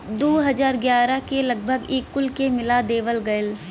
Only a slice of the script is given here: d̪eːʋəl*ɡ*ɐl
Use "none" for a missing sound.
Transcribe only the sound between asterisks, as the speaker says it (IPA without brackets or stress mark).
ɡ